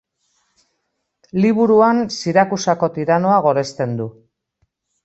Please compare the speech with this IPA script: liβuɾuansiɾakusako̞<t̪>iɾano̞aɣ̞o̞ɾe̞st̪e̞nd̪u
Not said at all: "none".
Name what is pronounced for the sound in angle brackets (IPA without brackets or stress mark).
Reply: t̪